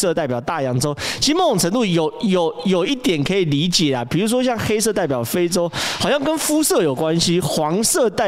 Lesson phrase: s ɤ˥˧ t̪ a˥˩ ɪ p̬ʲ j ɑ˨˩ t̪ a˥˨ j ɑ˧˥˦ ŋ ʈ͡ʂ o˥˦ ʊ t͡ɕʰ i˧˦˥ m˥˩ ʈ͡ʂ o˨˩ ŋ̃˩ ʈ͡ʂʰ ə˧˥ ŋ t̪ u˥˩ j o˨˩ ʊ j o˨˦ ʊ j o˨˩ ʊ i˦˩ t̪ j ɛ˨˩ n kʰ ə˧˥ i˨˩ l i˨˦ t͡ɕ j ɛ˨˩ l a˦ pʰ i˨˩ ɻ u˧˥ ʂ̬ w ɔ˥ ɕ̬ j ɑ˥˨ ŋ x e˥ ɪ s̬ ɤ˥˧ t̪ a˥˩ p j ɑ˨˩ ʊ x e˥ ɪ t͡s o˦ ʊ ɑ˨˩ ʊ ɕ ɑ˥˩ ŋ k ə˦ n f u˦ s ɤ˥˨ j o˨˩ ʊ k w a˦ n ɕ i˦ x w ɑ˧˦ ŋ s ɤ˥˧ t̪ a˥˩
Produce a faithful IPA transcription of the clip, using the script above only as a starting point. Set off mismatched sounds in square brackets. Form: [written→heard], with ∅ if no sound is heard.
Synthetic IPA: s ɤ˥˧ t̪ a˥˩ ɪ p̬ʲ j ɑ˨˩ t̪ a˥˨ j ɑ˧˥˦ ŋ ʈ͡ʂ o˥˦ ʊ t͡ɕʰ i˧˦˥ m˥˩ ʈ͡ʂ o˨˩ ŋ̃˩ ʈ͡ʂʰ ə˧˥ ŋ t̪ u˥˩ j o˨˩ ʊ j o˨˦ ʊ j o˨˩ ʊ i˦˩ t̪ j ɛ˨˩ n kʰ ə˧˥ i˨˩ l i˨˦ t͡ɕ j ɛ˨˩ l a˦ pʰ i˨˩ ɻ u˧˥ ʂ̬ w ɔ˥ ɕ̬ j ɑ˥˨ ŋ x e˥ ɪ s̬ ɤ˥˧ t̪ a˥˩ p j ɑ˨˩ ʊ [x→f] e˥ ɪ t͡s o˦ ʊ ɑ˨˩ ʊ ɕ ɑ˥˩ ŋ k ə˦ n f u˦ s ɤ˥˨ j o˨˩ ʊ k w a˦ n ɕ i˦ x w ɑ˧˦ ŋ s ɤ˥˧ t̪ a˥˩